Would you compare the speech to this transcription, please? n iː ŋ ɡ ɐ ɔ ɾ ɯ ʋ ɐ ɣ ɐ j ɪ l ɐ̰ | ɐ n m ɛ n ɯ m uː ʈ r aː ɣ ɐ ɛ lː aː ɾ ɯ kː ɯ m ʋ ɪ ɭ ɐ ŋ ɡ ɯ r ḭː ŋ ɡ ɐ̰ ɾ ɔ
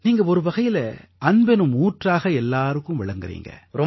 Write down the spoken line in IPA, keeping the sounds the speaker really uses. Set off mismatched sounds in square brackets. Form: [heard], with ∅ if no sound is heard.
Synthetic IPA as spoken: n iː ŋ ɡ ɐ ɔ ɾ ɯ ʋ ɐ ɣ ɐ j ɪ l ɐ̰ | ɐ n [b] ɛ n ɯ m uː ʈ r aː ɣ ɐ ɛ lː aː ɾ ɯ kː ɯ m ʋ ɪ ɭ ɐ ŋ ɡ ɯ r ḭː ŋ ɡ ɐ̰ ɾ ɔ